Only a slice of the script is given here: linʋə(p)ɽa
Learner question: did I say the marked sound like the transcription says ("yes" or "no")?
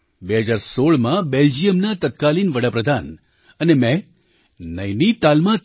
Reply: no